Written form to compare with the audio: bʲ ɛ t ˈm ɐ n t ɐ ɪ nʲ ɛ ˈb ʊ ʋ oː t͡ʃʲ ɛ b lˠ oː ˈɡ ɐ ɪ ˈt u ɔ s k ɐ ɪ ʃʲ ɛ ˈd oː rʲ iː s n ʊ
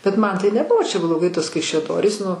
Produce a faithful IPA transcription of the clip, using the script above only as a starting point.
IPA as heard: bʲ ɛ t ˈm ɐ n t ɐ ɪ nʲ ɛ ˈb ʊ ʋ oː t͡ʃʲ ɛ b lˠ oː ˈɡ ɐ ɪ ˈt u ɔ s k ɐ ɪ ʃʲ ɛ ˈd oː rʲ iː s n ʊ

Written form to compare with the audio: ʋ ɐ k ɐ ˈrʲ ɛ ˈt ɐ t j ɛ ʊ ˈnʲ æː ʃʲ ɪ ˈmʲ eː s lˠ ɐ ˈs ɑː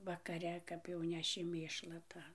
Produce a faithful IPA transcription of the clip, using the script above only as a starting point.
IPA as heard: ʋ ɐ k ɐ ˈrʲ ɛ ˈk ɐ p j ɛ ʊ ˈnʲ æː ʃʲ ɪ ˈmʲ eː ʃ lˠ ɐ ˈt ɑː

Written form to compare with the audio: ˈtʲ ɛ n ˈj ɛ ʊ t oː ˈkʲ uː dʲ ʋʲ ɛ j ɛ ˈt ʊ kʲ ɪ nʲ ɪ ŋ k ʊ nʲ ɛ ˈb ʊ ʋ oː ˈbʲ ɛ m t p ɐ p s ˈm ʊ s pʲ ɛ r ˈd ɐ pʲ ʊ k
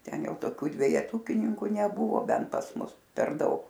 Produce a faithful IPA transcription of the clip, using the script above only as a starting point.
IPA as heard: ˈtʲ ɛ n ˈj ɛ ʊ t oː ˈkʲ uː dʲ ʋʲ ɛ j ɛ ˈt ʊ kʲ ɪ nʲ ɪ ŋ k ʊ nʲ ɛ ˈb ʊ ʋ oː ˈbʲ ɛ n t p ɐ s ˈm ʊ s pʲ ɛ r ˈd ɐ ʊ k

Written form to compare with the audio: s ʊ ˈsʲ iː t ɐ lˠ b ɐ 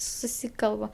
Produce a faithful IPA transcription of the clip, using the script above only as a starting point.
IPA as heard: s ʊ ˈsʲ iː k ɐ lˠ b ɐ

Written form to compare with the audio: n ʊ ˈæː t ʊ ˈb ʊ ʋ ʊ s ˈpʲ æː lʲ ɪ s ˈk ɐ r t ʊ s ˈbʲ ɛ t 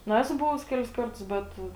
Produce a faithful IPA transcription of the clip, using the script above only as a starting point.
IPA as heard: n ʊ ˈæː s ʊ ˈb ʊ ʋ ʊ s ˈkʲ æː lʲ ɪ s ˈk ɐ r t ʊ s ˈbʲ ɛ t

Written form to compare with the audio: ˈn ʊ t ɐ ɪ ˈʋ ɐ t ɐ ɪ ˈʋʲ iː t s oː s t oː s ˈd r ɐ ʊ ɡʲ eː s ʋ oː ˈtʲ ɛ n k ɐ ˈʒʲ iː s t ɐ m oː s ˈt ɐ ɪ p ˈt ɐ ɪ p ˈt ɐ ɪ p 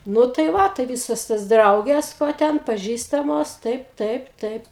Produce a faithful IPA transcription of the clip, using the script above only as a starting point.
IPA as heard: ˈn ʊ t ɐ ɪ ˈʋ ɐ t ɐ ɪ ˈʋʲ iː s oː s t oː s ˈd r ɐ ʊ ɡʲ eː s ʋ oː ˈtʲ ɛ n p ɐ ˈʒʲ iː s t ɐ m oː s ˈt ɐ ɪ p ˈt ɐ ɪ p ˈt ɐ ɪ p

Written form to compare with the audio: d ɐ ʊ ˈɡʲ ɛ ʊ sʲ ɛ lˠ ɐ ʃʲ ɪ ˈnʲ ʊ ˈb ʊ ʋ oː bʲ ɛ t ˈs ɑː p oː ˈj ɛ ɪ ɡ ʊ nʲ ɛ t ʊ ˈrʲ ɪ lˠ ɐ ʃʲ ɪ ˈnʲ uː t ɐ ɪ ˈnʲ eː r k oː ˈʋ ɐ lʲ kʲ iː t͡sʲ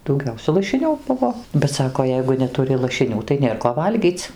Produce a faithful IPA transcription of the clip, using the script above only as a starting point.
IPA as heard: d ɐ ʊ ˈɡʲ ɛ ʊ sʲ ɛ lˠ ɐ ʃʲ ɪ ˈnʲ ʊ ˈb ʊ ʋ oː bʲ ɛ t ˈs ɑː k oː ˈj ɛ ɪ ɡ ʊ nʲ ɛ t ʊ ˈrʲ ɪ lˠ ɐ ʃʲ ɪ ˈnʲ uː t ɐ ɪ ˈnʲ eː r k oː ˈʋ ɐ lʲ ɡʲ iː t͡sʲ

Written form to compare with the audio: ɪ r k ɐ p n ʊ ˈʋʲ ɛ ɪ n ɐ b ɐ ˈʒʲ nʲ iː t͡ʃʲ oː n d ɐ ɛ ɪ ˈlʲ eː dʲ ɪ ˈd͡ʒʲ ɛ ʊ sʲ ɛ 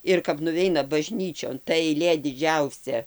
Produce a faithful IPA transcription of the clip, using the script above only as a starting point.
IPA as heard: ɪ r k ɐ p n ʊ ˈʋʲ ɛ ɪ n ɐ b ɐ ˈʒʲ nʲ iː t͡ʃʲ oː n t ɐ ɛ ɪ ˈlʲ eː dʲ ɪ ˈd͡ʒʲ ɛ ʊ sʲ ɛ

